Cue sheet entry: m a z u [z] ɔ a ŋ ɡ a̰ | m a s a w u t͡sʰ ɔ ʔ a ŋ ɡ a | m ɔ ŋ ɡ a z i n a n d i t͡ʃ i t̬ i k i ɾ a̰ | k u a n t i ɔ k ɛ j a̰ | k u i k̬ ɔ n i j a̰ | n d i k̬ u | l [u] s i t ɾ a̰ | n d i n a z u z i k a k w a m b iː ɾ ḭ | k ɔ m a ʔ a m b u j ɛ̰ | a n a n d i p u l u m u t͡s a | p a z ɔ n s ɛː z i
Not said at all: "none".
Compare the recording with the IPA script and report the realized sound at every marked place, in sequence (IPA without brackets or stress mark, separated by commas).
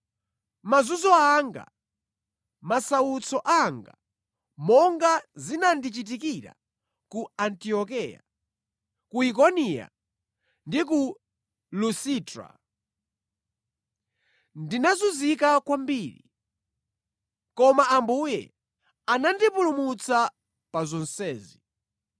z, u